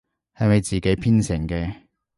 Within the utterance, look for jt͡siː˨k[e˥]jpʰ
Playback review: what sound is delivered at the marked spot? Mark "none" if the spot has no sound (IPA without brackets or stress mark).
e˨˥